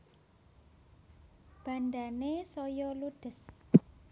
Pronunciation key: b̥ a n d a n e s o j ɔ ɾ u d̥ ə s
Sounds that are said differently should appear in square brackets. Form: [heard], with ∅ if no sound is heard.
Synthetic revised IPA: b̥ a n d a n e s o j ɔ [l] u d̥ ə s